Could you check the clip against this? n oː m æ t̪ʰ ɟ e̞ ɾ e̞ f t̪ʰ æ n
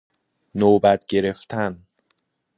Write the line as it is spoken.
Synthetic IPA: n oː b æ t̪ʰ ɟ e̞ ɾ e̞ f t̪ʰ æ n